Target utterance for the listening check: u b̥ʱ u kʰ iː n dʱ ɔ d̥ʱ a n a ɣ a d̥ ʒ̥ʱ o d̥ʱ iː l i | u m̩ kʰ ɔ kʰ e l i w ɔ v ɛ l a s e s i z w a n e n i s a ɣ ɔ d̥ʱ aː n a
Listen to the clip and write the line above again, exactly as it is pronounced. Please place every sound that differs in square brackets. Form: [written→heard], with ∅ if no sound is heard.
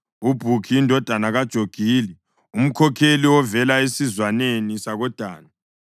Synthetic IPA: u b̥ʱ u kʰ iː n dʱ ɔ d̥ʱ a n a ɣ a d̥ ʒ̥ʱ o [d̥ʱ→ɡ̥ʱ] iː l i | u m̩ kʰ ɔ kʰ e l i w ɔ v ɛ l a [s→∅] e s i z w a n e n i s a ɣ ɔ d̥ʱ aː n a